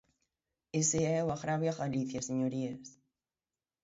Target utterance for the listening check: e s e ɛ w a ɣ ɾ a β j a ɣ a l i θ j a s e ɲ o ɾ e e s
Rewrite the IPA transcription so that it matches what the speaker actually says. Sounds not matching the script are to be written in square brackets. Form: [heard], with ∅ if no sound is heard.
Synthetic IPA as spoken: e s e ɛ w a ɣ ɾ a β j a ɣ a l i θ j a s e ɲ o ɾ [i] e s